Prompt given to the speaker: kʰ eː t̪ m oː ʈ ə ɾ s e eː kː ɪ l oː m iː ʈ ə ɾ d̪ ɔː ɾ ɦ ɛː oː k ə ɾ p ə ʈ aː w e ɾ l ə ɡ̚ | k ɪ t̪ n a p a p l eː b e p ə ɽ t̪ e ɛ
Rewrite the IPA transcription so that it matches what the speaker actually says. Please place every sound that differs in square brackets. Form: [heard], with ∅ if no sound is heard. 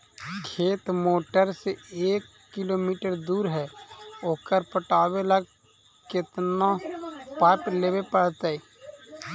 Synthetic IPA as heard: kʰ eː t̪ m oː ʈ ə ɾ s e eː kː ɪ l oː m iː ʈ ə ɾ d̪ [uː] ɾ ɦ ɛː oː k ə ɾ p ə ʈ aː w e [∅] l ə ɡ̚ | k ɪ t̪ n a p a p l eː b e p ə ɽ t̪ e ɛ